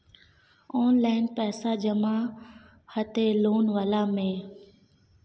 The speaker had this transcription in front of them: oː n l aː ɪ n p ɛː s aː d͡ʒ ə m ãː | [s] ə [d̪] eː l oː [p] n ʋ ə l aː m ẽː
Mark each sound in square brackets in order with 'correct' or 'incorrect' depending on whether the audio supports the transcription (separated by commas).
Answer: incorrect, incorrect, incorrect